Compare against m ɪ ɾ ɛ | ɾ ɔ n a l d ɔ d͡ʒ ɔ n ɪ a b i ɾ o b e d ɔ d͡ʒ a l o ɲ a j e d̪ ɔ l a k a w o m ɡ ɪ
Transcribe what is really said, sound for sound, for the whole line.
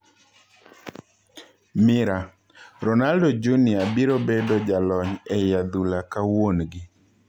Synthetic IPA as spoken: m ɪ ɾ a | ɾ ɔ n a l d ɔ d͡ʒ u n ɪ a b i ɾ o b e d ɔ d͡ʒ a l ɔ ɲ ɛ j a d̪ u l a k a w o n ɡ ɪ